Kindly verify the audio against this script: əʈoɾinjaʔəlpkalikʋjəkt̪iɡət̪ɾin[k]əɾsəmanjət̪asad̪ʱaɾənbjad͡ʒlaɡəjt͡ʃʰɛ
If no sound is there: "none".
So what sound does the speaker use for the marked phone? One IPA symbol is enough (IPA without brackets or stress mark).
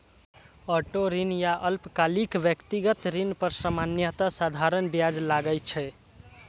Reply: p